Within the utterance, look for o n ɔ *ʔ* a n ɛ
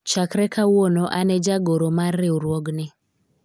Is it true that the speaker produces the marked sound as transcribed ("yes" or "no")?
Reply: yes